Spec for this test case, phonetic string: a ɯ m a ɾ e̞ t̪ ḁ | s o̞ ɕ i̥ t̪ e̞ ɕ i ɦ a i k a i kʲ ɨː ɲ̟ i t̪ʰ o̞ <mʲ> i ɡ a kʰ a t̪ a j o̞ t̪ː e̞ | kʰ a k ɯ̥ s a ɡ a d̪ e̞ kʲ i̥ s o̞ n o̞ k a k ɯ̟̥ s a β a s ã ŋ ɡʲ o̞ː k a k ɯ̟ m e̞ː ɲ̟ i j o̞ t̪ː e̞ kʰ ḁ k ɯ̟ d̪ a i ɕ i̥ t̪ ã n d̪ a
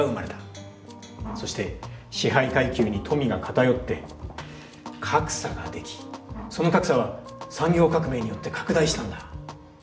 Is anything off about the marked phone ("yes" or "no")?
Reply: no